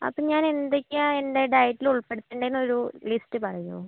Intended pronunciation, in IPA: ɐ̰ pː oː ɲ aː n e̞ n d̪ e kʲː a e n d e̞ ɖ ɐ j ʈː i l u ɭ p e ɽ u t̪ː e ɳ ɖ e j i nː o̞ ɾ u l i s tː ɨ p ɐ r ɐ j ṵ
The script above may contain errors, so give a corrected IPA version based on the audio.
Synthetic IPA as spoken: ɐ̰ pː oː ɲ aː n e̞ n d̪ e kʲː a e n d e̞ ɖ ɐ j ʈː i l u ɭ p e ɽ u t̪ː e ɳ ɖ e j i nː o̞ ɾ u l i s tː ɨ p ɐ r ɐ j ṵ